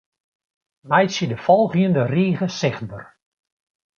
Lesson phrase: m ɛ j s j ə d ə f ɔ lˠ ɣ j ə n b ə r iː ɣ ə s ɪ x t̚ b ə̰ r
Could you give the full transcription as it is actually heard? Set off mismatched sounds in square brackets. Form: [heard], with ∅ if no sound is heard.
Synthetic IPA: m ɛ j s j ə d ə f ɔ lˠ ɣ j ə n [d] ə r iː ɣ ə s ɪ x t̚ b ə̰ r